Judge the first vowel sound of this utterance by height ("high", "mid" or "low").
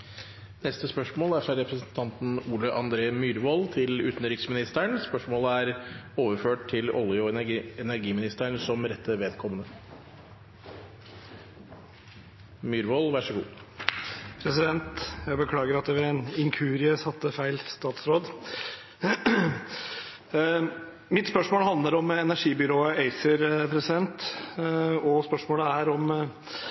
mid